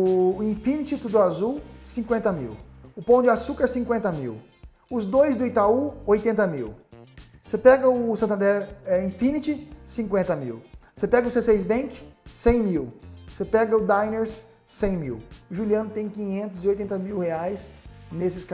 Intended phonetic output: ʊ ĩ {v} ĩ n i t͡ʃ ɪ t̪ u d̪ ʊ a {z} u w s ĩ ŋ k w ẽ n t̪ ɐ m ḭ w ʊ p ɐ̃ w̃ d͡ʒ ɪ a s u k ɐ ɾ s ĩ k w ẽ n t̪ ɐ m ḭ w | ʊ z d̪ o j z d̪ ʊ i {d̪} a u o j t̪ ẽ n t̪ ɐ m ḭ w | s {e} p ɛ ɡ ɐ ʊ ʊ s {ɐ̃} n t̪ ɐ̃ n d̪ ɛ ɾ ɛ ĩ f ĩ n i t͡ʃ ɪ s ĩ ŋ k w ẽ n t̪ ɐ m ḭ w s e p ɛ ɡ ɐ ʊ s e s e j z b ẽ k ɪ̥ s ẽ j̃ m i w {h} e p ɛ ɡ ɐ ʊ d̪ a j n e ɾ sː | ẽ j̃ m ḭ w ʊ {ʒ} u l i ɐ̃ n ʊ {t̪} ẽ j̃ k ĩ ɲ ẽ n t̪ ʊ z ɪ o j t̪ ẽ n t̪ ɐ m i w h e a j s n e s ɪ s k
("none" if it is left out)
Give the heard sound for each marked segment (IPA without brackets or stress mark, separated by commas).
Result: f, z, t̪, e, ɐ̃, s, ʒ, t̪